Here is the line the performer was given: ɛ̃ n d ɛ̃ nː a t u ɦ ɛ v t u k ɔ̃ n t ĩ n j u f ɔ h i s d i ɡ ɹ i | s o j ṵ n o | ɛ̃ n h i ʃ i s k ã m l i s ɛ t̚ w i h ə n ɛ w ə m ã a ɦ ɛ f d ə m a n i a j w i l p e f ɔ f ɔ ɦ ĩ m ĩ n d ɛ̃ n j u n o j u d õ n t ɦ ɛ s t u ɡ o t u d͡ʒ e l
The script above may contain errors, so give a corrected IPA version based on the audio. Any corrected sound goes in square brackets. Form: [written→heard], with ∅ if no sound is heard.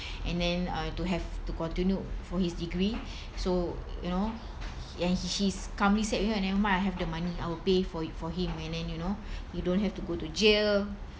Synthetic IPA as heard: ɛ̃ n d ɛ̃ [nː→n] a t u ɦ ɛ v t u k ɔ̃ n t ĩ n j u f ɔ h i s d i ɡ ɹ i | s o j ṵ n o | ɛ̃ n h i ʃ i s k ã m l i s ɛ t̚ w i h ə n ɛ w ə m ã a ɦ ɛ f d ə m a n i a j w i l p e f ɔ f ɔ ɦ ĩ m [ĩ→ɛ̃] n d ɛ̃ n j u n o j u d õ n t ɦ ɛ [s→f] t u ɡ o t u d͡ʒ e l

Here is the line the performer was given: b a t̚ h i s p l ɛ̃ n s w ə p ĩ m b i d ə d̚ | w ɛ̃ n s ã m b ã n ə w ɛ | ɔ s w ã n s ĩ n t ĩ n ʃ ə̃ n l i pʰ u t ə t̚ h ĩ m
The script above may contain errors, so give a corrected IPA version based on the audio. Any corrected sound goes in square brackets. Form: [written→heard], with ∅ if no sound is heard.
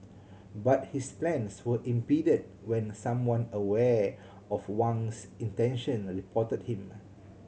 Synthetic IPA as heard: b a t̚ h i s p l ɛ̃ n s w ə [p→ʔ] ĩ m [b→p] i d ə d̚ | w ɛ̃ n s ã m [b→w] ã n ə w ɛ | ɔ [s→f] w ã n s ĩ n t [ĩ→ɛ̃] n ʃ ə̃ n [l→ɹ] i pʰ [u→ɔ] t ə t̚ h ĩ m

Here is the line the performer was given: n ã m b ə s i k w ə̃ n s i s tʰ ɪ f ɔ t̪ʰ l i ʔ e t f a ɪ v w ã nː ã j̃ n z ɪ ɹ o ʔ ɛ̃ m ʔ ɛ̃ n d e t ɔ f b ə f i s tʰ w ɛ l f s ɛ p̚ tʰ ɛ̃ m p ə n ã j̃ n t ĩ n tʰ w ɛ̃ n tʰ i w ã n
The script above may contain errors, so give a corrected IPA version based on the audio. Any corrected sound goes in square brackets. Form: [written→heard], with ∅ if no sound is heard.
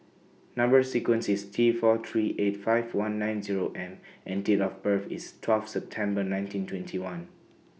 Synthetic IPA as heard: n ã m b ə s i k w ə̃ n s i s tʰ [ɪ→i] f ɔ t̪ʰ [l→ɹ] i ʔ e t f a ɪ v w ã nː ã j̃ n z [ɪ→i] ɹ o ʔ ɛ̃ m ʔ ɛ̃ n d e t ɔ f b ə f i s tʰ w ɛ l f s ɛ p̚ tʰ ɛ̃ m [p→b] ə n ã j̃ n t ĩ n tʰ w ɛ̃ n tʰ i w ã n

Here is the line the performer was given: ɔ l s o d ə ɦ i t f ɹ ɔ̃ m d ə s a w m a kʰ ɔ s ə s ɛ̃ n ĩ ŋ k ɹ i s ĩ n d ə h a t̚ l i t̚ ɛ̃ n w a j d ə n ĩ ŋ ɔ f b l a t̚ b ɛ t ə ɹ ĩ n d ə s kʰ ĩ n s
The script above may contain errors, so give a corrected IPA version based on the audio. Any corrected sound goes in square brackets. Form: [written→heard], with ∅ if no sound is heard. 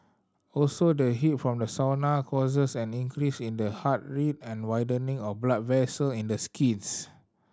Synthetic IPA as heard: ɔ l s o d ə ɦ i t f ɹ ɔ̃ m d ə s a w [m→n] a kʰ ɔ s ə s ɛ̃ n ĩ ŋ k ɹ i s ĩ n d ə h a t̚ [l→ɹ] i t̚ ɛ̃ n w a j d ə n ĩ ŋ ɔ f b l a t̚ [b→v] ɛ [t→s] ə [ɹ→l] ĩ n d ə s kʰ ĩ n s

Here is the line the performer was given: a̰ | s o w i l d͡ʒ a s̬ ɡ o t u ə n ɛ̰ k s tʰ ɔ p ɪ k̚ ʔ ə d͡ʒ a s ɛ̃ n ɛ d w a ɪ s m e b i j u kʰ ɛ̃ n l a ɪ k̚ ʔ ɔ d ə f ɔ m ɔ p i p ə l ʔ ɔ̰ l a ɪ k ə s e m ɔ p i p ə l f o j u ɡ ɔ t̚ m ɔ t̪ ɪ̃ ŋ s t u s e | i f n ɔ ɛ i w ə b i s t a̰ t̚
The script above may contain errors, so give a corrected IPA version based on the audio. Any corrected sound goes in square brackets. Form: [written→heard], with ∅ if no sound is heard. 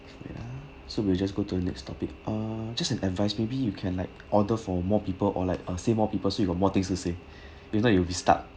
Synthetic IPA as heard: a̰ | s o w i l d͡ʒ a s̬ ɡ o t u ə n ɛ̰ k s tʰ ɔ p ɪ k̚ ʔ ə d͡ʒ a s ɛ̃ n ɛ d [w→v] a ɪ s m e b i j u kʰ ɛ̃ n l a ɪ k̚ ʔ ɔ d ə f ɔ m ɔ p i p ə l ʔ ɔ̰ l a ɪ k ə s e m ɔ p i p ə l [f→s] o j u ɡ ɔ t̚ m ɔ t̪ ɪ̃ ŋ s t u s e | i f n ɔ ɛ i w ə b i s t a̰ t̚

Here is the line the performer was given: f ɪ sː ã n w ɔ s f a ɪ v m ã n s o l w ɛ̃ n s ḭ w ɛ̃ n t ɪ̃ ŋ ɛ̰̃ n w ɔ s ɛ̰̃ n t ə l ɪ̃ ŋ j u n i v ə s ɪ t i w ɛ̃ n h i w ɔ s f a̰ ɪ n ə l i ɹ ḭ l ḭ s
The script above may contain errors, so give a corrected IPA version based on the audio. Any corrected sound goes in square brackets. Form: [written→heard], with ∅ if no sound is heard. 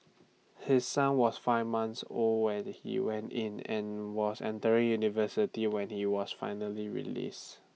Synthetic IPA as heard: [f→h] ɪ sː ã n w ɔ s f a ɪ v m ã n s o l w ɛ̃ n [s→h] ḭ w ɛ̃ n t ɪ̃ [ŋ→n] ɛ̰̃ n w ɔ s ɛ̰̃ n t ə [l→ɹ] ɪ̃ ŋ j u n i v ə s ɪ t i w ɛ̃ n h i w ɔ s f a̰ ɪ n ə l i ɹ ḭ l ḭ s

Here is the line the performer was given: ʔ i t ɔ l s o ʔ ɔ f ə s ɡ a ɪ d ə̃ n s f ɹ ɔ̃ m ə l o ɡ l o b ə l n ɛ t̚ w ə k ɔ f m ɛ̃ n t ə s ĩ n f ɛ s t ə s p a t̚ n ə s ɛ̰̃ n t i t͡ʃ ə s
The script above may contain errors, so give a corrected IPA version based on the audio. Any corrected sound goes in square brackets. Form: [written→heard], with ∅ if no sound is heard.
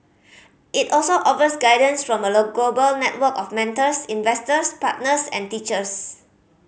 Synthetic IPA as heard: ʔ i t ɔ l s o ʔ ɔ f ə s ɡ a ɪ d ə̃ n s f ɹ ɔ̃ m ə l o ɡ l o b ə l n ɛ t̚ w ə k ɔ f m ɛ̃ n t ə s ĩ n [f→v] ɛ s t ə s p a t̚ n ə s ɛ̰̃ n t i t͡ʃ ə s

